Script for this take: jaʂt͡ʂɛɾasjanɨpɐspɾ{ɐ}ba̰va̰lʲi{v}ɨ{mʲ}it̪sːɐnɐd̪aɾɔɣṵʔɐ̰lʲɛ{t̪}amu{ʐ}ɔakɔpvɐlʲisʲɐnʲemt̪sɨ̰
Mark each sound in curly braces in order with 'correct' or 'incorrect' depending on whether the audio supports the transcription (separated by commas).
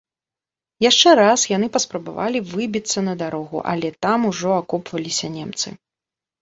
correct, correct, incorrect, correct, correct